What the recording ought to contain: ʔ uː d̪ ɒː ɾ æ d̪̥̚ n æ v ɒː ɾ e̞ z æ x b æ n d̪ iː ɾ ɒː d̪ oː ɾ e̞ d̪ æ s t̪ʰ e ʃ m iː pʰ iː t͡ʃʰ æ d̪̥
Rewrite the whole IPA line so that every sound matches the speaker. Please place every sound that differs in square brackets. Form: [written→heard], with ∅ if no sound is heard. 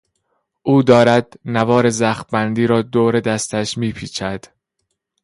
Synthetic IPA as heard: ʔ uː d̪ ɒː ɾ æ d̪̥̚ n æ v ɒː ɾ e̞ z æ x b æ n d̪ iː ɾ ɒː d̪ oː ɾ e̞ d̪ æ s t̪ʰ [e→æ] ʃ m iː pʰ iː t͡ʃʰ æ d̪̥

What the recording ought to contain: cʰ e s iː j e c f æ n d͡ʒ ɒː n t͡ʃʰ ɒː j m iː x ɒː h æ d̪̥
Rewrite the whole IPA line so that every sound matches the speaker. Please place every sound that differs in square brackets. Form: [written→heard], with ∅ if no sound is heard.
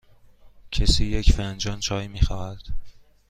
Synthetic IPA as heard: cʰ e s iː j e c f æ n d͡ʒ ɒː n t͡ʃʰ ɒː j m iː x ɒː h æ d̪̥

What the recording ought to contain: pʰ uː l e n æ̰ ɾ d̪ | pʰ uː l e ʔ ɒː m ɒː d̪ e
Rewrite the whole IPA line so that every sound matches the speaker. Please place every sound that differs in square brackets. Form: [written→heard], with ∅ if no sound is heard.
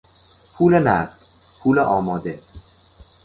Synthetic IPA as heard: pʰ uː l e n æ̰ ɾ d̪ | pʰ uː l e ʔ ɒː m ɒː d̪ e

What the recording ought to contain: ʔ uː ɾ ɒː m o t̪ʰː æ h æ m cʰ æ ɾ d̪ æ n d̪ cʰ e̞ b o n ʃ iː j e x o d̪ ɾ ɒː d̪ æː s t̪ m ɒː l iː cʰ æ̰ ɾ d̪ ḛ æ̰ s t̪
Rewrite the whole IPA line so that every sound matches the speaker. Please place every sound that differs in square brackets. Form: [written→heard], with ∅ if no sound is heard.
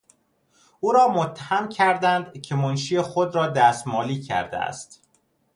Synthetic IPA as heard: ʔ uː ɾ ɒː m o t̪ʰː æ h æ m cʰ æ ɾ d̪ æ n d̪ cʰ e̞ [b→m] o n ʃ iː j e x o d̪ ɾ ɒː d̪ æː s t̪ m ɒː l iː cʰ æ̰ ɾ d̪ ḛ æ̰ s t̪

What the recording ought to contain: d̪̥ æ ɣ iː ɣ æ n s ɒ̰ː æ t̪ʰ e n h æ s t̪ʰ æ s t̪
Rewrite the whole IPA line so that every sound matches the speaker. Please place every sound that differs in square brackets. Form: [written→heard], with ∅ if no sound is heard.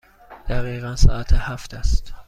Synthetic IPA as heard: d̪̥ æ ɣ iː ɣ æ n s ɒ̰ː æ t̪ʰ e [n→∅] h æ [s→f] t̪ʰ æ s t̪

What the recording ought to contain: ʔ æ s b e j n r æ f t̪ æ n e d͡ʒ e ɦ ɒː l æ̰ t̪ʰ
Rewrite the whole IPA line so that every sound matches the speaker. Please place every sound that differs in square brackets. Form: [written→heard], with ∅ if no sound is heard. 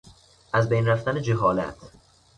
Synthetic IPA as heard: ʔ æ [s→z] b e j n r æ f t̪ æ n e d͡ʒ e ɦ ɒː l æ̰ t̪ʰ

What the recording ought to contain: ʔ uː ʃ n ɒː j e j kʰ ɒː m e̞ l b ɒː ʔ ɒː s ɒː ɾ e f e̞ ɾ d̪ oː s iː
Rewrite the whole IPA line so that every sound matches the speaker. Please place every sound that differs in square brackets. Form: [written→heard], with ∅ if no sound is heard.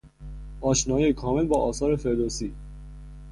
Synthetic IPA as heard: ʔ [uː→ɒː] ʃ n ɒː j e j kʰ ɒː m e̞ l b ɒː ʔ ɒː s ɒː ɾ e f e̞ ɾ d̪ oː s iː

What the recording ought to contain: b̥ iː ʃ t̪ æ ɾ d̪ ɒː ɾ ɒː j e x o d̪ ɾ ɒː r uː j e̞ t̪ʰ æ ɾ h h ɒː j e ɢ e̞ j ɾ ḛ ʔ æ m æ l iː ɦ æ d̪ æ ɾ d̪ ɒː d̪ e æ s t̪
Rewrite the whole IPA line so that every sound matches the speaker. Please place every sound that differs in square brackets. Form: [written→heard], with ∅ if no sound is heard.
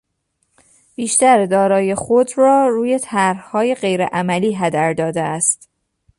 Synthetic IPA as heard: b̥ iː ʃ t̪ æ ɾ d̪ ɒː ɾ ɒː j e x o d̪ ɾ ɒː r uː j e̞ t̪ʰ æ ɾ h h ɒː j e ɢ e̞ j ɾ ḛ ʔ æ m æ l iː ɦ æ d̪ æ ɾ d̪ ɒː d̪ e æ s t̪

